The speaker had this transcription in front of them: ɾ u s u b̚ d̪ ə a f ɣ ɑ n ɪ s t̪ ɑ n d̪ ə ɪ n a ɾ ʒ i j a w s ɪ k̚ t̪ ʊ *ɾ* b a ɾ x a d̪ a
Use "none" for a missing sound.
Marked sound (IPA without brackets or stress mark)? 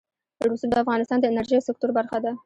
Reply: ɾ